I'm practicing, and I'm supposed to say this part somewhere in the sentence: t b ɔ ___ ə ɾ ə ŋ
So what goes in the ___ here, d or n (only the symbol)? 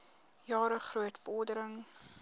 d